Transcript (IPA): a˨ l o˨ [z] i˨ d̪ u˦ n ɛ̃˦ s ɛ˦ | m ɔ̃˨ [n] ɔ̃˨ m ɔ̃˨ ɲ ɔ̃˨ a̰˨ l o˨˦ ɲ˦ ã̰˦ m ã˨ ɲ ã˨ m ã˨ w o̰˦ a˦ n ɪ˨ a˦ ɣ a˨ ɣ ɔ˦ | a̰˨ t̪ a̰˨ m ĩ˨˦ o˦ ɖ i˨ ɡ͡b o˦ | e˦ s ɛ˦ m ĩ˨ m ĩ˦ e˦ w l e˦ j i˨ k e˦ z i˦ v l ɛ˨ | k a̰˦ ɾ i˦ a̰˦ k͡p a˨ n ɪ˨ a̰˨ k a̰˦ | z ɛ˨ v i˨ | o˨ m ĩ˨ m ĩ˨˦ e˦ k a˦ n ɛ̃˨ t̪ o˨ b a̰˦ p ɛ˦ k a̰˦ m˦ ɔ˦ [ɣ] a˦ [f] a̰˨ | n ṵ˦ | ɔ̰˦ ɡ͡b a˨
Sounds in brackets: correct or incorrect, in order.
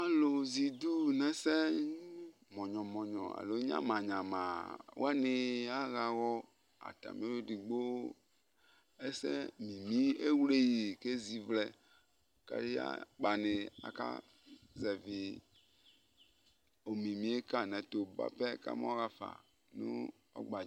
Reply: correct, incorrect, correct, correct

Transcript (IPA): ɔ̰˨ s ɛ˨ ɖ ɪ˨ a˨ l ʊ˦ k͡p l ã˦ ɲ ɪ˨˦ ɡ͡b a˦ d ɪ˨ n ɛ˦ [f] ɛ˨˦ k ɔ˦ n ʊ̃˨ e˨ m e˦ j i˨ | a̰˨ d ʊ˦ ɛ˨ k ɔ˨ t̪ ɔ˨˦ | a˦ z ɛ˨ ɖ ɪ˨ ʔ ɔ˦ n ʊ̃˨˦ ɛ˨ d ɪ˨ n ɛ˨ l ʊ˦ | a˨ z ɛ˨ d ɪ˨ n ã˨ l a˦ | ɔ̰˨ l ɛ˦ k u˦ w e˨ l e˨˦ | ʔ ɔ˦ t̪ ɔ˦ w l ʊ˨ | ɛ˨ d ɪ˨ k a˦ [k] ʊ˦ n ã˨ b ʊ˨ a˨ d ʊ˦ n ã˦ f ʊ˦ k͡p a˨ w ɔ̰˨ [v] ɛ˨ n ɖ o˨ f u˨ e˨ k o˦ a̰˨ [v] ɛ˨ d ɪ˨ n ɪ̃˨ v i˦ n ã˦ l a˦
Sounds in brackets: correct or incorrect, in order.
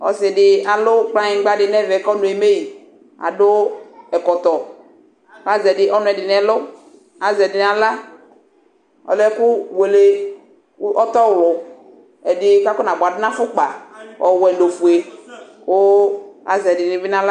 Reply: incorrect, correct, incorrect, incorrect

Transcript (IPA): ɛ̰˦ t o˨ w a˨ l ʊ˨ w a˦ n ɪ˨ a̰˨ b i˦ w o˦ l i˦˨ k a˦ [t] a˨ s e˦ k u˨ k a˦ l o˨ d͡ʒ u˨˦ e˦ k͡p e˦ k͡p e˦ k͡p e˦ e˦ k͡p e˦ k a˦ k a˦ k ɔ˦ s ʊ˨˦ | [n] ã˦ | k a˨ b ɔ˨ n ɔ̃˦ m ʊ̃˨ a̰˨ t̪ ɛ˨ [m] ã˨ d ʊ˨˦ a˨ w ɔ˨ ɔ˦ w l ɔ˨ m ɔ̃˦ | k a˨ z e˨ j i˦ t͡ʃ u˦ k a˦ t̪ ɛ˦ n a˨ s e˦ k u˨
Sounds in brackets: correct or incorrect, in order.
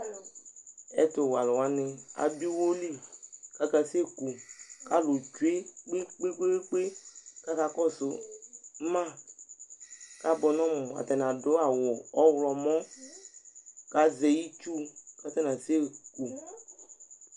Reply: incorrect, incorrect, incorrect

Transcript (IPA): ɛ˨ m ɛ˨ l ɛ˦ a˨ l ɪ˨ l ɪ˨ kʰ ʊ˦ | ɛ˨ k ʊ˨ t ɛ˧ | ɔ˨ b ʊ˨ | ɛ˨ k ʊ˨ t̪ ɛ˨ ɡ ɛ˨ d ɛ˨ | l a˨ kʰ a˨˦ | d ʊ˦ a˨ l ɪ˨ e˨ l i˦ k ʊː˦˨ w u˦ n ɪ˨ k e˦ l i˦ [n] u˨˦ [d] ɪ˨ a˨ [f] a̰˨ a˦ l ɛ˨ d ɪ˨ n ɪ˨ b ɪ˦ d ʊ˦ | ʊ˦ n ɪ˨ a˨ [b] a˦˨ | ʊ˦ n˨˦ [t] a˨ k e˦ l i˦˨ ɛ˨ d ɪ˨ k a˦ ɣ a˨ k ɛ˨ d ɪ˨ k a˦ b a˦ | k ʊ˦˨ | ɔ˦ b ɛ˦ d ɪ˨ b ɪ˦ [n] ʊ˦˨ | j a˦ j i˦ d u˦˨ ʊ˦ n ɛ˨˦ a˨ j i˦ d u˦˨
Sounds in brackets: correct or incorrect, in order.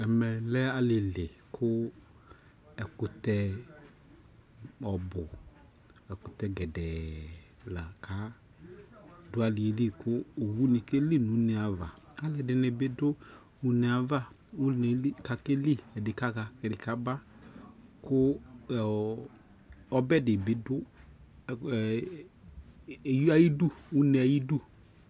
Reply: correct, incorrect, incorrect, incorrect, incorrect, incorrect

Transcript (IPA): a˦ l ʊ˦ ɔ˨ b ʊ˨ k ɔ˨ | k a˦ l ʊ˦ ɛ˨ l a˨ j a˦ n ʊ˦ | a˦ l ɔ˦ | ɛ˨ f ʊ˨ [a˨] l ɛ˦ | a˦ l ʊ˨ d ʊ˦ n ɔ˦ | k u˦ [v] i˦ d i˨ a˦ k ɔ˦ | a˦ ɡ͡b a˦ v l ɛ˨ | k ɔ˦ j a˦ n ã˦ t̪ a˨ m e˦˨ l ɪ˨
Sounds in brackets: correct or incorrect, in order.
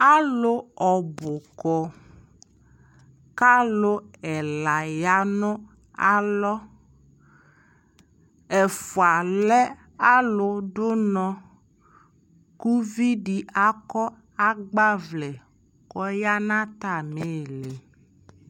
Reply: correct, correct

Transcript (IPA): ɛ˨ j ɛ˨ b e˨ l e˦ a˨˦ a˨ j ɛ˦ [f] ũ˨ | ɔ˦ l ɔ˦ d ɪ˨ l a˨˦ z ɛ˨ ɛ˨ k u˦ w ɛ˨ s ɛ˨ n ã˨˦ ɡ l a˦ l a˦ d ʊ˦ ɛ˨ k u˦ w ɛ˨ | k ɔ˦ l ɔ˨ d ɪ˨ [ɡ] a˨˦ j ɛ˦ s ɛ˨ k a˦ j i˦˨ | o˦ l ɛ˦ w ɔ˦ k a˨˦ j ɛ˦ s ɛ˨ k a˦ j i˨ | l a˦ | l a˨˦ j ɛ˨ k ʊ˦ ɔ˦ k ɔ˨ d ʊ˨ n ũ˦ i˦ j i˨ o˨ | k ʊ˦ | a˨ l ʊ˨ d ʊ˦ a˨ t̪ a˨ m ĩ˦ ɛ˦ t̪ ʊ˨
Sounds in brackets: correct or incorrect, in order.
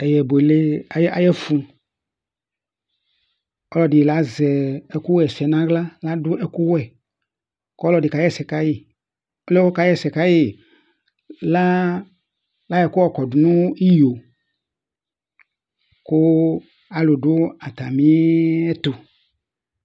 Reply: correct, incorrect

